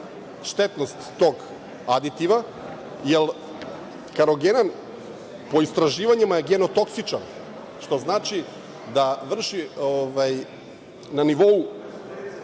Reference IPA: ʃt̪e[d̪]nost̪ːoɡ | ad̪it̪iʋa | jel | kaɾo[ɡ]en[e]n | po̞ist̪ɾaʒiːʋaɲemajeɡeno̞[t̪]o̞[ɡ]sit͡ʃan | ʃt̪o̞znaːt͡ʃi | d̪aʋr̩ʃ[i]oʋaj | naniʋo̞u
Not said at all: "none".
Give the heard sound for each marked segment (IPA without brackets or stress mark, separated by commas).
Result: t̪, ɡ, a, t̪, k, i